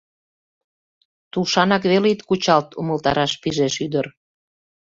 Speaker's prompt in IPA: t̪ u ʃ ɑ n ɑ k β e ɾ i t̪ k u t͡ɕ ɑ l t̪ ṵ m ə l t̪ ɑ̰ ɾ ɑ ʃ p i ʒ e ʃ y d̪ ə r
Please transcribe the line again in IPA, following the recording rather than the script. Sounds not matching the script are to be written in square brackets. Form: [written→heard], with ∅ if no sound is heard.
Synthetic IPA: t̪ u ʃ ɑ n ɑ k β e [ɾ→l] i t̪ k u t͡ɕ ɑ l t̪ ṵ m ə l t̪ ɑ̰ ɾ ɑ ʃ p i ʒ e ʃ y d̪ ə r

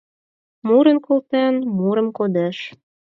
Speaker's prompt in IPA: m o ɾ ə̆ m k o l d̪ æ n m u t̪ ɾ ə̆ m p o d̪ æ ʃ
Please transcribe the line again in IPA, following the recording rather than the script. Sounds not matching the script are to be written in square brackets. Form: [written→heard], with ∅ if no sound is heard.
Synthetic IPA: m [o→u] ɾ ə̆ [m→n] k o l [d̪→t̪] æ n m u [t̪→∅] ɾ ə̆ m [p→k] o d̪ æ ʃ

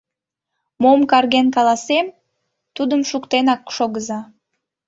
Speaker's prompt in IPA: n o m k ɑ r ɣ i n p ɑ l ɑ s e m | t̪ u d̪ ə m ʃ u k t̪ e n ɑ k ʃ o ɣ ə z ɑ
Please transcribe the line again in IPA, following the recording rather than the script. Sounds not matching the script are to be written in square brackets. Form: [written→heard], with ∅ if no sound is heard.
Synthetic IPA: [n→m] o m k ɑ r ɣ [i→e] n [p→k] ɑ l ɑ s e m | t̪ u d̪ ə m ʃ u k t̪ e n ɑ k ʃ o ɣ ə z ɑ

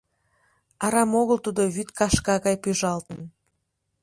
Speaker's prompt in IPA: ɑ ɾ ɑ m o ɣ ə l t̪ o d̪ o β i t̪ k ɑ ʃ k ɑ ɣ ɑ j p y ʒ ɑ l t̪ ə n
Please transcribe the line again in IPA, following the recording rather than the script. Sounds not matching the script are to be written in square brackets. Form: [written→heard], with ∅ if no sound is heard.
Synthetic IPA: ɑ ɾ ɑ m o ɣ ə l t̪ [o→u] d̪ o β [i→y] t̪ k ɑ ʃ k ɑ ɣ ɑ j p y ʒ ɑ l t̪ ə n

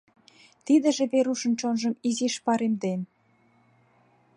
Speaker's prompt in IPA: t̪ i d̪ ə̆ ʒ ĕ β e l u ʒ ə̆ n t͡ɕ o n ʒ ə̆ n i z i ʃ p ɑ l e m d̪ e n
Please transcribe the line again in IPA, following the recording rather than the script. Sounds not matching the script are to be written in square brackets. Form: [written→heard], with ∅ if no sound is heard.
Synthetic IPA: t̪ i d̪ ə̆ ʒ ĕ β e [l→ɾ] u [ʒ→ʃ] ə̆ n t͡ɕ o n ʒ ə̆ [n→m] i z i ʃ p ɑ [l→ɾ] e m d̪ e n

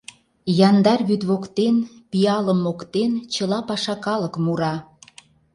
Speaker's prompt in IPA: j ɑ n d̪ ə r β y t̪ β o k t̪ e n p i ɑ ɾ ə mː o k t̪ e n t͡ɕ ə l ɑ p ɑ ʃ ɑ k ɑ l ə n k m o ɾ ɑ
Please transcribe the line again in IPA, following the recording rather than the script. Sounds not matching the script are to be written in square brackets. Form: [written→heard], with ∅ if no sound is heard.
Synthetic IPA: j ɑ n d̪ [ə→ɑ] r β y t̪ β o k t̪ e n p i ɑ [ɾ→l] ə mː o k t̪ e n t͡ɕ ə l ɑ p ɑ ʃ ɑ k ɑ l ə [n→∅] k m [o→u] ɾ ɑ

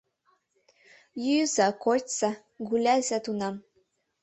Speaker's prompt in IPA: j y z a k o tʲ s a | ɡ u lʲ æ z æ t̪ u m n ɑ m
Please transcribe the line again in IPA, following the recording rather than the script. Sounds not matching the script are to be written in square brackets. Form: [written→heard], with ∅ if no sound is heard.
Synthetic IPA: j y z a k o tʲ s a | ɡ u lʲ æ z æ t̪ u [m→∅] n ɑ m

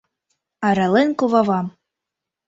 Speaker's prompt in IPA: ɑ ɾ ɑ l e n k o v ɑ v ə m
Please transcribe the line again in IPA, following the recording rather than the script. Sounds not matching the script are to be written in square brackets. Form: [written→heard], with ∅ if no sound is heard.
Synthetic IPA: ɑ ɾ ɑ l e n k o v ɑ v [ə→ɑ] m

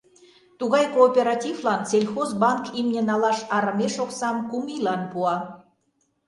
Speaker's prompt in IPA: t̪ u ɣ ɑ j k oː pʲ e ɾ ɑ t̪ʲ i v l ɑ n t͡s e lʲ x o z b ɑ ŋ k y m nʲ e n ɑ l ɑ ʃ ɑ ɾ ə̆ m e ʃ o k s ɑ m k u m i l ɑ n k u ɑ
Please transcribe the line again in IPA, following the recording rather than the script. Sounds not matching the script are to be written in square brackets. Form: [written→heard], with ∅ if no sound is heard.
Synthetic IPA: t̪ u ɣ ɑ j k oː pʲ e ɾ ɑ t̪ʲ i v l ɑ n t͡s e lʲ x o z b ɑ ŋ k [y→i] m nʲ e n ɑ l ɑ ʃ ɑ ɾ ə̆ m e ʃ o k s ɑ m k u m i l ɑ n [k→p] u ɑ

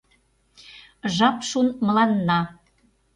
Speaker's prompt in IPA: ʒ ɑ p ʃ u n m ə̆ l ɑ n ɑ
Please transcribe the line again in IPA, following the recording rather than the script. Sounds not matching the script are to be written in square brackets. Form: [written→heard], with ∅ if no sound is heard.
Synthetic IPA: ʒ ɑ p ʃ u n m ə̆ l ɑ [n→nː] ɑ

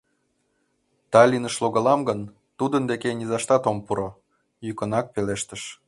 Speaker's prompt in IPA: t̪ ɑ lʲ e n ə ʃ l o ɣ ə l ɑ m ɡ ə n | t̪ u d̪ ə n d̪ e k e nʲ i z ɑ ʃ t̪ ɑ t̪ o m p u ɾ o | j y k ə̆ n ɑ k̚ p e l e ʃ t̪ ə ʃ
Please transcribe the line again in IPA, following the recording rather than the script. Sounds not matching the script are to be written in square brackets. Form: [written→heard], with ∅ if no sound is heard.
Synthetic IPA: t̪ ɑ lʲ [e→i] n ə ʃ l o ɣ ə l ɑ m ɡ ə n | t̪ u d̪ ə n d̪ e k e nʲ i z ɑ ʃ t̪ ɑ t̪ o m p u ɾ o | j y k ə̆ n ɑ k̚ p e l e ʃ t̪ ə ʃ

